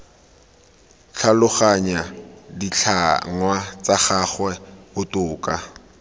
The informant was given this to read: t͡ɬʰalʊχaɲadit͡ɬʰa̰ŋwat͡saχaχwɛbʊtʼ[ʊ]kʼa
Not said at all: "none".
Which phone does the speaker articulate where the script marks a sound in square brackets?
ʊː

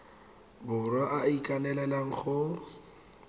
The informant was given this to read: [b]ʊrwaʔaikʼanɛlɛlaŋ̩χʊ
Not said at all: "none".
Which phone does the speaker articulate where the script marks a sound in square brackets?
b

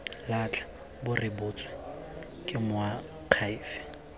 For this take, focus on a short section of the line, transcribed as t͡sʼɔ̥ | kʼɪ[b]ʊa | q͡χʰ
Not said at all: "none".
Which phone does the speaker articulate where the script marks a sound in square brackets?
m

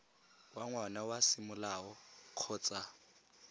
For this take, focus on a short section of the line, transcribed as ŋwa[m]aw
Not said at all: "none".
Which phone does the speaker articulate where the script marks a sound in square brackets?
n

